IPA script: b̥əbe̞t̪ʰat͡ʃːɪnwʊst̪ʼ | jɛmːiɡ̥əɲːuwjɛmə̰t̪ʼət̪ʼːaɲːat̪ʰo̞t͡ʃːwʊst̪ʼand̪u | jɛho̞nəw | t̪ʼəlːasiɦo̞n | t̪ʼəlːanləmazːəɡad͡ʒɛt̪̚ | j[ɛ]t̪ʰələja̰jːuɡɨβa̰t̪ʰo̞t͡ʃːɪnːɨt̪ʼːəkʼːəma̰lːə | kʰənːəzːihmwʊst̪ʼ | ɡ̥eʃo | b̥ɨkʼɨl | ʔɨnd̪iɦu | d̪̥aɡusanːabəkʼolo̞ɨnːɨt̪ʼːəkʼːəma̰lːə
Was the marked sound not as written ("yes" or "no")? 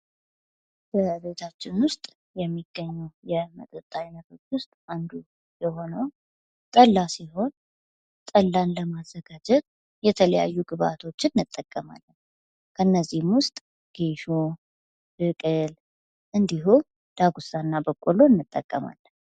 no